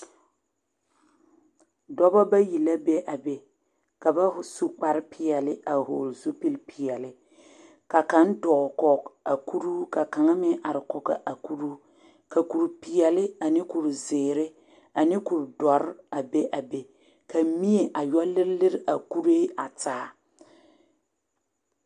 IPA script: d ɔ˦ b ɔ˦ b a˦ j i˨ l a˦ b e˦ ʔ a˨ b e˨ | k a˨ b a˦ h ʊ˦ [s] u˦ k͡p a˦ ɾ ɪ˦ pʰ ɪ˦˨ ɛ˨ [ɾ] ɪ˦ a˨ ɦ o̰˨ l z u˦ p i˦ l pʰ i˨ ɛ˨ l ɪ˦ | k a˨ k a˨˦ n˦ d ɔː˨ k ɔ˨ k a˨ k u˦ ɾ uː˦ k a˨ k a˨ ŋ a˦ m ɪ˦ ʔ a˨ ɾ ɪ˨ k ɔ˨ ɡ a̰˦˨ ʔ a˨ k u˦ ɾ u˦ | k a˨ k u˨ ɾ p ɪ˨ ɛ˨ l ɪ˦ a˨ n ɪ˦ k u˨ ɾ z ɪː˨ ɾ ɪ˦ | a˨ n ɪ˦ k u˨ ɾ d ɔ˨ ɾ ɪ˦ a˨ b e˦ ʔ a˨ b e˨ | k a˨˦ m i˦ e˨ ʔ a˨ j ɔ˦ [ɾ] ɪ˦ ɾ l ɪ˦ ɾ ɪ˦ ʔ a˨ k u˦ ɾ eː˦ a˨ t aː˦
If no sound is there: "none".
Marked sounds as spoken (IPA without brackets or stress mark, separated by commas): s, l, l